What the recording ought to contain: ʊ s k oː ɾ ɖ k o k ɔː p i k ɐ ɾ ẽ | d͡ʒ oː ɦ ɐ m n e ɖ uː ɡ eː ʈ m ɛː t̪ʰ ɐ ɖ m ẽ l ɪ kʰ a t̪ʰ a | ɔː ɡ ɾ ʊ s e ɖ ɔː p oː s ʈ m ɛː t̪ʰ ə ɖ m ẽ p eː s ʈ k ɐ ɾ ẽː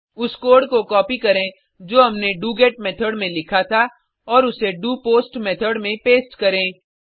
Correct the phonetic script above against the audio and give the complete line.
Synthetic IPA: ʊ s k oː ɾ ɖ k o k ɔː p i k ɐ ɾ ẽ | d͡ʒ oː ɦ ɐ m n e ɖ uː ɡ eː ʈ m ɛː t̪ʰ ə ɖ m ẽ l ɪ kʰ a t̪ʰ a | ɔː ɾ ʊ s e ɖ uː p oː s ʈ m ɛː t̪ʰ ə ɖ m ẽ p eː s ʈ k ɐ ɾ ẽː